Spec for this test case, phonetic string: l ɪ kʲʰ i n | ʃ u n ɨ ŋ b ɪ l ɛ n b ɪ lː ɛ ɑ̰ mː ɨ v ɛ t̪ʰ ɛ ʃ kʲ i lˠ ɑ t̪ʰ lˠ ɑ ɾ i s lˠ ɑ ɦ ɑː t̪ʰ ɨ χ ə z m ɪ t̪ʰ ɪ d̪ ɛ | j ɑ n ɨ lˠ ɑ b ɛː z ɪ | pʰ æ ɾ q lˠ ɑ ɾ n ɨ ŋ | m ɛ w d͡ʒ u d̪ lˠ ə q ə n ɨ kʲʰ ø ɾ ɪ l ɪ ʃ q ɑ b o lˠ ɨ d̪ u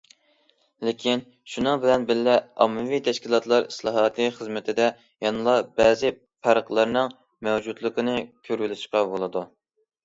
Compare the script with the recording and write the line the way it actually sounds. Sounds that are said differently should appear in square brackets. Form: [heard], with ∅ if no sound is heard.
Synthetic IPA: l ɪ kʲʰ i n | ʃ u n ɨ ŋ b ɪ l ɛ n b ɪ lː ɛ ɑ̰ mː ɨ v [i] t̪ʰ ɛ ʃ kʲ i lˠ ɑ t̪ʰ lˠ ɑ ɾ i s lˠ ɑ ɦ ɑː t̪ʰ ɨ χ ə z m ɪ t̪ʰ ɪ d̪ ɛ | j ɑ n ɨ lˠ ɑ b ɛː z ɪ | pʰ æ ɾ q lˠ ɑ ɾ n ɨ ŋ | m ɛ w d͡ʒ u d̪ lˠ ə q ə n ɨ kʲʰ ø ɾ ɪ l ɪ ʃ q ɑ b o lˠ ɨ d̪ u